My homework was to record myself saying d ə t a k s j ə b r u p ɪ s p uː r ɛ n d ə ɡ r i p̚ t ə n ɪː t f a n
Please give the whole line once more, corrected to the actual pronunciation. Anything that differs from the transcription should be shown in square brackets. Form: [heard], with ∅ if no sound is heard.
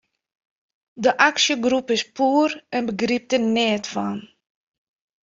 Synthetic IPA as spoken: d ə [ʔ] a k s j ə [ɡ] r u p ɪ s p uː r ɛ n [b] ə ɡ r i p̚ t ə n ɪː t f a n